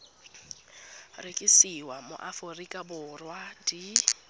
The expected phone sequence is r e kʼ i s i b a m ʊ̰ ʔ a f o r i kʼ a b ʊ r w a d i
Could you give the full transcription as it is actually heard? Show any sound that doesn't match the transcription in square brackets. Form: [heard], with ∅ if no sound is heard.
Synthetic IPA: r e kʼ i s i [w] a m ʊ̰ ʔ a f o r i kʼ a b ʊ r w a d i